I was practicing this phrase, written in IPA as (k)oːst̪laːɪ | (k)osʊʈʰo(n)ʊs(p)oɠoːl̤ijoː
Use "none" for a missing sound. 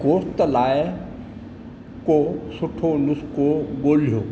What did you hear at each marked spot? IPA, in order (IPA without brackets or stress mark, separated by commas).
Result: k, k, n, k